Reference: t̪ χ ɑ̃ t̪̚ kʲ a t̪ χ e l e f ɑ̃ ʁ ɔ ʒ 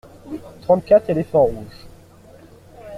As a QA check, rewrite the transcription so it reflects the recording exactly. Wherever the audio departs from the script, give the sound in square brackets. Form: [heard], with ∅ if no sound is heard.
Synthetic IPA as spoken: t̪ χ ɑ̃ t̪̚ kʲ a t̪ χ e l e f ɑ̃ ʁ [u] ʒ